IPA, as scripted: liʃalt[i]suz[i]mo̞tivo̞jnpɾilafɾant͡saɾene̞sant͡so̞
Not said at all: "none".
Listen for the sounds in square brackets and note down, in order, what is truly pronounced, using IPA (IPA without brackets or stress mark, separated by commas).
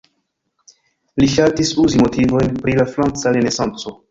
i, i